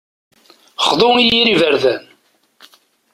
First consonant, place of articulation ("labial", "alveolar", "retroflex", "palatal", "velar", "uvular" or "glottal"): uvular